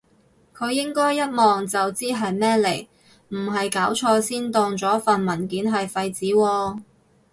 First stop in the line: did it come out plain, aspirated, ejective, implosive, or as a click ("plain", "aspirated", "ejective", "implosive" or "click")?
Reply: aspirated